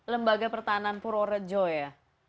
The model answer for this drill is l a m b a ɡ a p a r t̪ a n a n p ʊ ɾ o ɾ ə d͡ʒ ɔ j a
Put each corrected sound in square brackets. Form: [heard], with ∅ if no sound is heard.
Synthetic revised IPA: l [ə] m b a ɡ a p [ə] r t̪ a n a n p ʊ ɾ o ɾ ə d͡ʒ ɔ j a